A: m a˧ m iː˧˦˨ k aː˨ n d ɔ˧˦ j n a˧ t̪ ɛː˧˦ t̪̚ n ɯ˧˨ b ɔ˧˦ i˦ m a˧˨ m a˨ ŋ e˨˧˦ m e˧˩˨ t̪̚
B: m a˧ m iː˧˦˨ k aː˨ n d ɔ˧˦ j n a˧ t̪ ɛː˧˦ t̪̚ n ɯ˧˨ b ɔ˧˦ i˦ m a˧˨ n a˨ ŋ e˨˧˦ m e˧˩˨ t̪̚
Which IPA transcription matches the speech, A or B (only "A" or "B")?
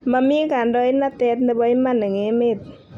B